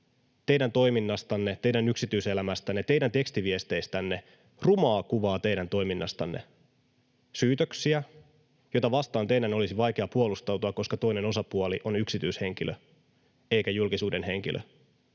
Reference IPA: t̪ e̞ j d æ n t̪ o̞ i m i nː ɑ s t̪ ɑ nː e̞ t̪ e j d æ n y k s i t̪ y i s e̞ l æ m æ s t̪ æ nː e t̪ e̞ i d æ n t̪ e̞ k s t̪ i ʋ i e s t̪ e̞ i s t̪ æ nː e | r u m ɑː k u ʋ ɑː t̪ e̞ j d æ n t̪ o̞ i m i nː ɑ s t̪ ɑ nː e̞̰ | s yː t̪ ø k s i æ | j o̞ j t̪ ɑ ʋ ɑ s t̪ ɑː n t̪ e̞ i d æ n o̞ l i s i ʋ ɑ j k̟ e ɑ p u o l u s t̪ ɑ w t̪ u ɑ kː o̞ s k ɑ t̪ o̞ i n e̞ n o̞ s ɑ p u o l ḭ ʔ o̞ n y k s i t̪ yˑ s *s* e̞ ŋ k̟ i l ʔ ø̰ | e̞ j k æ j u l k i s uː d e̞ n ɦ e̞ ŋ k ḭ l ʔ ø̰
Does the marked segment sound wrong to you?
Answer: yes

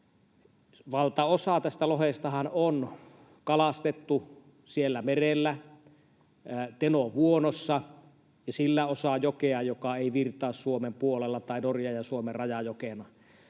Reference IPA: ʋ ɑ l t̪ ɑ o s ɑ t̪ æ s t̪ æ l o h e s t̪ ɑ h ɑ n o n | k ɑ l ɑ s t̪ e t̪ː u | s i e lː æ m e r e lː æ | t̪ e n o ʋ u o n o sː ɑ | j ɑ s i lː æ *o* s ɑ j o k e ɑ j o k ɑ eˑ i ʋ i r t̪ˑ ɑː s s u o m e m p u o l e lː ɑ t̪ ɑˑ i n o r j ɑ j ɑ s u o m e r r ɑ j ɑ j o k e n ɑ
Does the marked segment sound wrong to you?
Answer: no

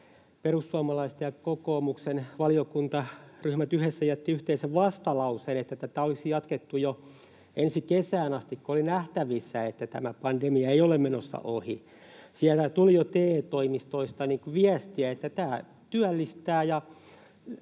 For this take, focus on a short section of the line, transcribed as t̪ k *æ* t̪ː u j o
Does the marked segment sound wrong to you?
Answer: yes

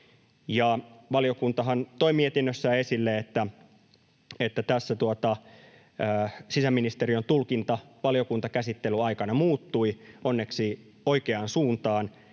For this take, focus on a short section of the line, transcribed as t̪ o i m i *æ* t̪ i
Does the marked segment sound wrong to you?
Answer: yes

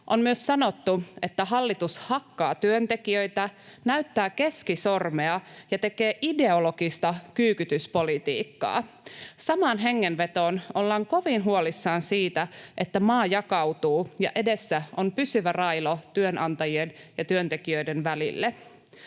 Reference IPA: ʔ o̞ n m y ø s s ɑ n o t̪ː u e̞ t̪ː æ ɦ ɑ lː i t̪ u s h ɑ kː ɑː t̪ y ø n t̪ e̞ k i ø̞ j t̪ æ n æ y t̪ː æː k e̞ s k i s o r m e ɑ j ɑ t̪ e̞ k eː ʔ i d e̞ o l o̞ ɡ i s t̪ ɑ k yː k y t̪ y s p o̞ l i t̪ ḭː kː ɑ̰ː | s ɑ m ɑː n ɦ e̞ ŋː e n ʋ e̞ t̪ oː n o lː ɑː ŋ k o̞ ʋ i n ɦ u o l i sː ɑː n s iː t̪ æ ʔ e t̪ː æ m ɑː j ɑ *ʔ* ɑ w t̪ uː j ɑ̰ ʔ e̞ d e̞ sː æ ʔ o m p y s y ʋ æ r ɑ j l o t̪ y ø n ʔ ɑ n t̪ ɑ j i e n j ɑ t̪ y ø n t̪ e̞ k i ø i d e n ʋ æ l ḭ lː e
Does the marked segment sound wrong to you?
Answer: yes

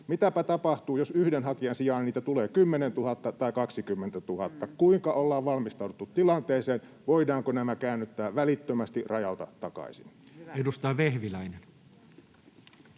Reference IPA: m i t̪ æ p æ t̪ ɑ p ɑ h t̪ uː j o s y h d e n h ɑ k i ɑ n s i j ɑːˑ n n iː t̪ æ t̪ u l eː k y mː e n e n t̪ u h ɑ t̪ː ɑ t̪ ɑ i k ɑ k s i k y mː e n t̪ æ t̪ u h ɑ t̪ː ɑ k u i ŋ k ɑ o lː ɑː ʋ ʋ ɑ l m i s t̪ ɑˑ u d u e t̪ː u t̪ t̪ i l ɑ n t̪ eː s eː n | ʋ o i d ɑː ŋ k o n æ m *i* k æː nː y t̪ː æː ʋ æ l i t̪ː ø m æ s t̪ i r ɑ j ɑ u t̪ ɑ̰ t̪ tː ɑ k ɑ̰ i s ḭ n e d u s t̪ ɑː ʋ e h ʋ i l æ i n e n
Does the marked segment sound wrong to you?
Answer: yes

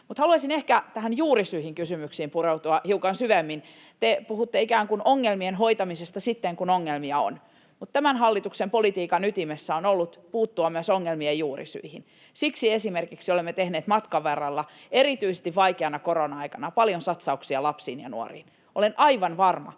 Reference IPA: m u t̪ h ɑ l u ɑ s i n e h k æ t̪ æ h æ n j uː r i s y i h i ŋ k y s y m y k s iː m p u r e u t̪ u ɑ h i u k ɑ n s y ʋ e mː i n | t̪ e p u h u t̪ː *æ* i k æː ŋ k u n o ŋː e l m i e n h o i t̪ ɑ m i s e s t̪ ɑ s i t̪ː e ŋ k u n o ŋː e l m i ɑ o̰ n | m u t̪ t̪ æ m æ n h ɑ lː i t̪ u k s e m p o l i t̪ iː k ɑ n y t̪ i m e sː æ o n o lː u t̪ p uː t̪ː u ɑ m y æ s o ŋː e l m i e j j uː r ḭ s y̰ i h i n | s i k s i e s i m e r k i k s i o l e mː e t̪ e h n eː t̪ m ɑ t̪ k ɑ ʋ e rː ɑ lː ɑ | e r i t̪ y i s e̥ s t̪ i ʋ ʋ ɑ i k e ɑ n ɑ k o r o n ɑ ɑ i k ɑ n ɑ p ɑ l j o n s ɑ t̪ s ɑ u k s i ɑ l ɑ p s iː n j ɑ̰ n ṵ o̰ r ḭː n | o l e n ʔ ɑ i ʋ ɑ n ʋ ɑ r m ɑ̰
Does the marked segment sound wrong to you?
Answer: yes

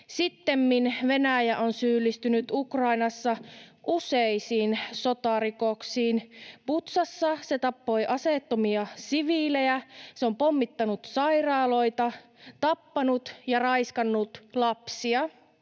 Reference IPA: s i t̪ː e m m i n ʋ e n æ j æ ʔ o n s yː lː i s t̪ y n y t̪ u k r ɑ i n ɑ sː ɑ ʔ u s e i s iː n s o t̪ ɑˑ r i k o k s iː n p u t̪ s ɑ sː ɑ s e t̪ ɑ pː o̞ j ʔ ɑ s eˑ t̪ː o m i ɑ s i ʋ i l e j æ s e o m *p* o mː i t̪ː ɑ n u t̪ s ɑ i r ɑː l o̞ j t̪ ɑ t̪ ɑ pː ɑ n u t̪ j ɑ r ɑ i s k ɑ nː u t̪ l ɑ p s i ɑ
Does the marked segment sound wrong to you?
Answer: no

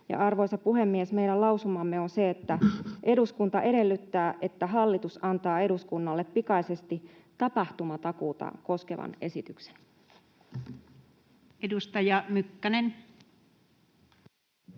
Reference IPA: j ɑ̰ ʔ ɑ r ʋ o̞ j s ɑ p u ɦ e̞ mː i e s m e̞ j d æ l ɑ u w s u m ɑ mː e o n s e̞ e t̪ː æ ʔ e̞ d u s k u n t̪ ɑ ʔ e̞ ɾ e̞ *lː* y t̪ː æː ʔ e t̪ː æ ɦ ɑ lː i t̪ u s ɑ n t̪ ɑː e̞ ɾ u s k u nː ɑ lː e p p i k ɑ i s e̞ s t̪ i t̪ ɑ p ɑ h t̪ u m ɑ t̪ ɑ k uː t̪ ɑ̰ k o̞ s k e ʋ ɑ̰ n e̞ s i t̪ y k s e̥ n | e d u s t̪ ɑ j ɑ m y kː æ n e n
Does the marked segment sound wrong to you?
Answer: no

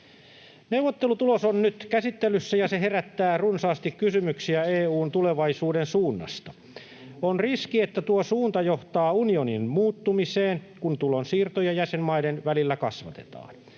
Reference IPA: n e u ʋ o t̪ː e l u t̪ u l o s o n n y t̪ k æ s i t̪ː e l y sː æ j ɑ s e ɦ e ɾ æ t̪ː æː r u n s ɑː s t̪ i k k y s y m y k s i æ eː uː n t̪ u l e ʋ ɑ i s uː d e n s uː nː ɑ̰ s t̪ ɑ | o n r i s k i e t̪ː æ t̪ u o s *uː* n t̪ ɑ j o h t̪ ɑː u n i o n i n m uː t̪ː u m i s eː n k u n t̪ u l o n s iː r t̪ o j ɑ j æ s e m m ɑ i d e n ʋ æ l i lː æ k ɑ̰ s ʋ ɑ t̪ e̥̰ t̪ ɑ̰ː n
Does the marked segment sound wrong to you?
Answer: no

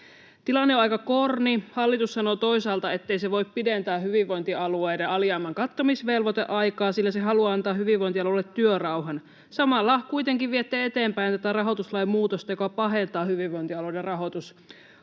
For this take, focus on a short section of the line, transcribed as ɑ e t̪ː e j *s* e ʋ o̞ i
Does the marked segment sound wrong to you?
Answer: no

